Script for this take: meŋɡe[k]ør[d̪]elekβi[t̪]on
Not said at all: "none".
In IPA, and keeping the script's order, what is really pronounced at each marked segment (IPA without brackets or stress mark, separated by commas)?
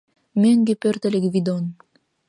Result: p, t̪, d̪